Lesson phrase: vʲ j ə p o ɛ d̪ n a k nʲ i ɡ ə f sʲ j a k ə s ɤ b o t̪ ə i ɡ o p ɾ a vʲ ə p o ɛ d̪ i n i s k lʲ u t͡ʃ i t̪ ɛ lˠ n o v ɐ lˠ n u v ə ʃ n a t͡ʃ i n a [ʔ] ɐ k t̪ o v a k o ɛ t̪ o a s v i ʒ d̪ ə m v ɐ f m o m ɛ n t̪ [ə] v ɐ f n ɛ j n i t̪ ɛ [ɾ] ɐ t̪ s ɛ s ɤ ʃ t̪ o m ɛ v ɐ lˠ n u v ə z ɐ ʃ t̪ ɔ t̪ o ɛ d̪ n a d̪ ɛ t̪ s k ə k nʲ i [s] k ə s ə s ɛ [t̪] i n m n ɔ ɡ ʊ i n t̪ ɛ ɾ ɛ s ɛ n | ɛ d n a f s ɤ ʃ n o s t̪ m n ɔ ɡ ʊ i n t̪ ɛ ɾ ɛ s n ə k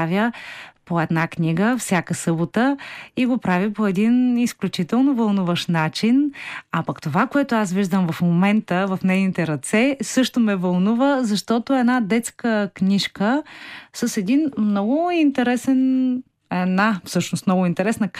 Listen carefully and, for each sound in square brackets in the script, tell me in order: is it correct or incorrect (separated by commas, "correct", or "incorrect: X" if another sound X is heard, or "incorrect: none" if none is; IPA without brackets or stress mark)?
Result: incorrect: p, correct, correct, incorrect: ʃ, incorrect: d̪